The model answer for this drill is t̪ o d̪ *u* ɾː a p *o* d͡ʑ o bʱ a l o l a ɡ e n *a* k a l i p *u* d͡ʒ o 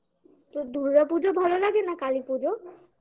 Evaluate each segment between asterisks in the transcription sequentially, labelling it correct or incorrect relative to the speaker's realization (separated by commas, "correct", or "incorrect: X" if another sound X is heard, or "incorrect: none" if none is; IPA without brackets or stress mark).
correct, incorrect: u, correct, correct